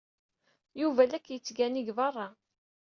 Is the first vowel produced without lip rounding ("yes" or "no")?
no